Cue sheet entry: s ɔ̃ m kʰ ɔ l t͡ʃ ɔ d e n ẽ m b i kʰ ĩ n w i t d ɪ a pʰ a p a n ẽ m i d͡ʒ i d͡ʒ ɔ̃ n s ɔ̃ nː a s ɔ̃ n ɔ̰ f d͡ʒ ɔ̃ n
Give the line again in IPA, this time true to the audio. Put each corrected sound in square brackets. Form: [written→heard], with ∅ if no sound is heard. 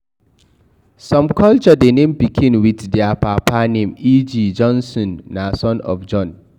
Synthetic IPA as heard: s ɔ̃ m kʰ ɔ l t͡ʃ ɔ d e n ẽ m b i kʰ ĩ n w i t d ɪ a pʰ a p a n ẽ m i d͡ʒ i d͡ʒ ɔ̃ n s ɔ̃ nː a s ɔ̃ n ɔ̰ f d͡ʒ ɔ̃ n